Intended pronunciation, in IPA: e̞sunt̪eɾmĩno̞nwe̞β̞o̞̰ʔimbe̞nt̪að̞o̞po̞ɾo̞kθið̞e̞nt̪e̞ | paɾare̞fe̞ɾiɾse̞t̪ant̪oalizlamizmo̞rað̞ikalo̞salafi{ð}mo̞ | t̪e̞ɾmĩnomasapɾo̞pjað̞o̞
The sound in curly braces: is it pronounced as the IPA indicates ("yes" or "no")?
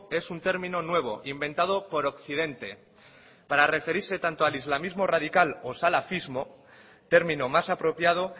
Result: no